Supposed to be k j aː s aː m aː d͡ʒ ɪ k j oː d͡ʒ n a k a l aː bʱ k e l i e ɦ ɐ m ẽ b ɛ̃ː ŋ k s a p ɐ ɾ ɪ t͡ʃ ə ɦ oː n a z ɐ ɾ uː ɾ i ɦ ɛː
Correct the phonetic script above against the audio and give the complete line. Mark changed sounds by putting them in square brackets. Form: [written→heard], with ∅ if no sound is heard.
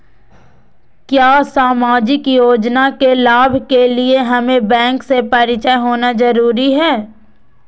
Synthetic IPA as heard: k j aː s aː m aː d͡ʒ ɪ k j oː d͡ʒ n a k [a→e] l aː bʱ k e l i e ɦ ɐ m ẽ b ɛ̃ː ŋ k s [a→e] p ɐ ɾ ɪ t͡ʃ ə ɦ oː n a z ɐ ɾ uː ɾ i ɦ ɛː